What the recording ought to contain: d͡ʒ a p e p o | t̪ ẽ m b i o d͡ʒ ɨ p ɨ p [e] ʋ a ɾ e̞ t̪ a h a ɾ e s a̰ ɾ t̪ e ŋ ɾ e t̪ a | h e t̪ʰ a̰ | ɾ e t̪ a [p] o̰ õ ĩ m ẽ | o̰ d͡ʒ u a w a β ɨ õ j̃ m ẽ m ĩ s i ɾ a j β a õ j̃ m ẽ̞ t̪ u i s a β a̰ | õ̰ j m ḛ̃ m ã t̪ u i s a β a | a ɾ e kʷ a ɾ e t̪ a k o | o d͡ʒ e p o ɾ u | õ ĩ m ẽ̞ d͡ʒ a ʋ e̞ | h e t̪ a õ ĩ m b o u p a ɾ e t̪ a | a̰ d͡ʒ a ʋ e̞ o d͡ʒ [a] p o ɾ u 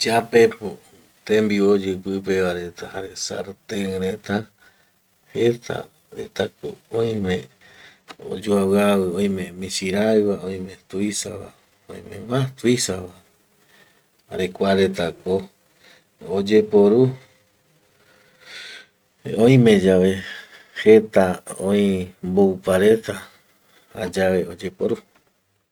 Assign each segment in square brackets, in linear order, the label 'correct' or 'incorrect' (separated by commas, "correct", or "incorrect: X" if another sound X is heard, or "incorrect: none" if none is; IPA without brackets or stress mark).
correct, incorrect: k, incorrect: e